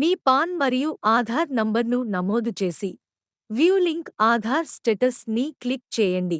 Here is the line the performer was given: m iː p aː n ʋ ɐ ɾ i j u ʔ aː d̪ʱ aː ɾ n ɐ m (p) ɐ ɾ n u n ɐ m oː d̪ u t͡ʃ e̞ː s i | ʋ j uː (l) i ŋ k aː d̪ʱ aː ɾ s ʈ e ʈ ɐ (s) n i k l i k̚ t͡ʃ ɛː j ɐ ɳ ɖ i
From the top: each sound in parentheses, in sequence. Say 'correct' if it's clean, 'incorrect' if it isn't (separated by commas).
incorrect, correct, correct